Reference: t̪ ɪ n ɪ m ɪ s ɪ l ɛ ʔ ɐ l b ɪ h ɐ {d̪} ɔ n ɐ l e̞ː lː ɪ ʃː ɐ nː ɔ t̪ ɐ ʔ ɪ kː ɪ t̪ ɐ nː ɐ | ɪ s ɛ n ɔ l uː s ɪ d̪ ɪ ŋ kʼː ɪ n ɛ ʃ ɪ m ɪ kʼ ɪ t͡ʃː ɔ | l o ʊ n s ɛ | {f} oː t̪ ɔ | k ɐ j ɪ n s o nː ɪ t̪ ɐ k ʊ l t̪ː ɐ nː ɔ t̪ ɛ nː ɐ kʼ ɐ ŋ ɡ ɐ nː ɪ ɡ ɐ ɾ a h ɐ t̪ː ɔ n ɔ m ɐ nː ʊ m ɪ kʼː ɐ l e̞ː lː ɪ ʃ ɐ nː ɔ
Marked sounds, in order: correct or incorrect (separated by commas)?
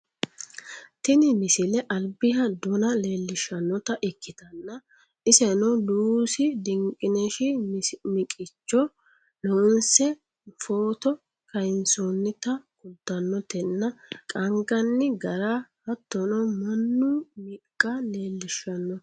correct, correct